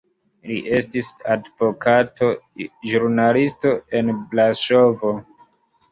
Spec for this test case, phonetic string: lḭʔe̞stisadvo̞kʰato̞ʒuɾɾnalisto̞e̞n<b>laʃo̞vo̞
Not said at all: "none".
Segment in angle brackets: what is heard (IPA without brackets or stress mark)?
b